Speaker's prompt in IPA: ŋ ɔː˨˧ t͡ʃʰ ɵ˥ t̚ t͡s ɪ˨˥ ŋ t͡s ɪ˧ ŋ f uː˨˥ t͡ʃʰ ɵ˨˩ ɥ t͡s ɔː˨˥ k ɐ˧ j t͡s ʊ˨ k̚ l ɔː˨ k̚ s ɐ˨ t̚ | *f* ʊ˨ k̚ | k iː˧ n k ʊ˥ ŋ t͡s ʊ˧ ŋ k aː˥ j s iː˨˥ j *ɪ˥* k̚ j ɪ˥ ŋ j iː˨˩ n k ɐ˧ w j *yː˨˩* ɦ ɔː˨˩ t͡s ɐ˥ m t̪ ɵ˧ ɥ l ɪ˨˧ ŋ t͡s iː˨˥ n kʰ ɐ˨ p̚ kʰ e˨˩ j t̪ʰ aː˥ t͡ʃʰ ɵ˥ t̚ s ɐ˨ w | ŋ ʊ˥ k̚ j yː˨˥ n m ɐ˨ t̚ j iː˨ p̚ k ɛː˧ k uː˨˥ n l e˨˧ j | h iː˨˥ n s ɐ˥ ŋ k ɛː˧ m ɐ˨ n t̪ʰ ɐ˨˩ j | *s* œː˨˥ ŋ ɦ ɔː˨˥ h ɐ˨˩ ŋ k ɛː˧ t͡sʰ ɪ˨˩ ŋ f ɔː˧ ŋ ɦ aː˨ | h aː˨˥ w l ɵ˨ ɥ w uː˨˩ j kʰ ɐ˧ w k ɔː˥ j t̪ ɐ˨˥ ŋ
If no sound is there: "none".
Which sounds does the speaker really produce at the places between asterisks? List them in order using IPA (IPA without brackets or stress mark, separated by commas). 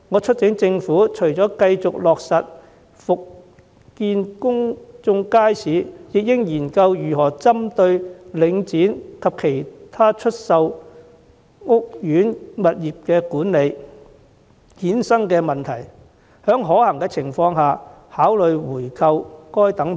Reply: f, ɪ˨, yː˨˩, h